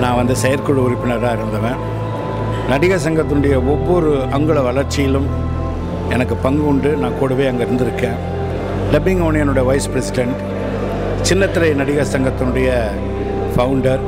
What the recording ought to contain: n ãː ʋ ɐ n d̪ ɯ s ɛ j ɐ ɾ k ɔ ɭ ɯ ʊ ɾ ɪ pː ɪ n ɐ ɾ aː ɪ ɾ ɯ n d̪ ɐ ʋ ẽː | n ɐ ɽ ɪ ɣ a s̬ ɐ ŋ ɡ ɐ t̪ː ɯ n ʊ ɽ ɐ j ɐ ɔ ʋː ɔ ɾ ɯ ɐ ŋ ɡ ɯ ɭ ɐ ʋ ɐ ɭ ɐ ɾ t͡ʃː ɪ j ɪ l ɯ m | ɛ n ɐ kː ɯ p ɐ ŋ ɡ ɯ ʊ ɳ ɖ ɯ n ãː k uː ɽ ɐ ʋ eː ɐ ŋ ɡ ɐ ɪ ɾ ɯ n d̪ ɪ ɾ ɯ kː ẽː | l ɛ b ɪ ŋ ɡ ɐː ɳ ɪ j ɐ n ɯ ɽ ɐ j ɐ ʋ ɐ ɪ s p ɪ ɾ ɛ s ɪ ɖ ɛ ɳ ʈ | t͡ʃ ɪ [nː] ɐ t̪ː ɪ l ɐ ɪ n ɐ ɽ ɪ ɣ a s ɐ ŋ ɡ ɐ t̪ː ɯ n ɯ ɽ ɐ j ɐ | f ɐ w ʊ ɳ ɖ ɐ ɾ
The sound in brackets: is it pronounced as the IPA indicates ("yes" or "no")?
yes